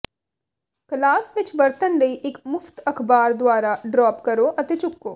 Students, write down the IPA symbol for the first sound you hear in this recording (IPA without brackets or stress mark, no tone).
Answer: k